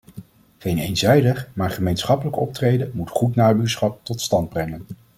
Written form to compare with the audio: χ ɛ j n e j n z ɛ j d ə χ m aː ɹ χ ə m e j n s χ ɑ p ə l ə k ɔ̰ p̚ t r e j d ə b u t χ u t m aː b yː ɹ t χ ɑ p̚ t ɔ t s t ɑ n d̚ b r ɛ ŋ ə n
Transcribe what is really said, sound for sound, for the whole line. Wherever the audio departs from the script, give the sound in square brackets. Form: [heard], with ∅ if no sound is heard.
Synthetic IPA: χ [e] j n e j n z ɛ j d ə χ m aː ɹ χ ə m e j n s χ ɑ p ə l ə k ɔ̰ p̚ t r e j d ə [m] u t χ u t [n] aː b yː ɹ [s] χ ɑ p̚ t ɔ t s t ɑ n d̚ b r ɛ ŋ ə n